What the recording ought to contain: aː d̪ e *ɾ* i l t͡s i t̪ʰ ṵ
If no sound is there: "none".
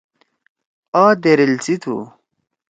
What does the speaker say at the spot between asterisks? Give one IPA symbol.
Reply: ɾ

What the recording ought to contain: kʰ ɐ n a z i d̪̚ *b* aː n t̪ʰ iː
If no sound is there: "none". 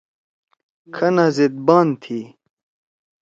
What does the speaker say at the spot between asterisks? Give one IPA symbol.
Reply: b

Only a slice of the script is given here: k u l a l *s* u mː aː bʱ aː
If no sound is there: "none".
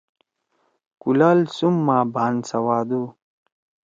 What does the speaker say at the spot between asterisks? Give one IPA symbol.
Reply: s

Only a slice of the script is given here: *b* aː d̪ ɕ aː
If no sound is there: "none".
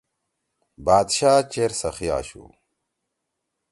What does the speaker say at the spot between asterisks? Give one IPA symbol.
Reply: b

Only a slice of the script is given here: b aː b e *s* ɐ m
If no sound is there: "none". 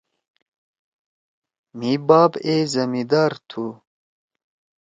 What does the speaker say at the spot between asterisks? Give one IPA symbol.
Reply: z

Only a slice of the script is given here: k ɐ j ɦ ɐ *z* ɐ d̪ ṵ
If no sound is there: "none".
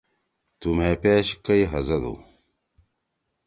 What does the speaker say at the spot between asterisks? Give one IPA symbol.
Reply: z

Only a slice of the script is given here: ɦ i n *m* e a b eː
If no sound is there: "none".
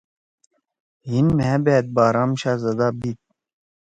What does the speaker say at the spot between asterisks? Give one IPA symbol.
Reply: m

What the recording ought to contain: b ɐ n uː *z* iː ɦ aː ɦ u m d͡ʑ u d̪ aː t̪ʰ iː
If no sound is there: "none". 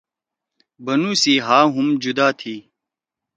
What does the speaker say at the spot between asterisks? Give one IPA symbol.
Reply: s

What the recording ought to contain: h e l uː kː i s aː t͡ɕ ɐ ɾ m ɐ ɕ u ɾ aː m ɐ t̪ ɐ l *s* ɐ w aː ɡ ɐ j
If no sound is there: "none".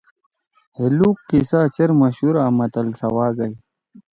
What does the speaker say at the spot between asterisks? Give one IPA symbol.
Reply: s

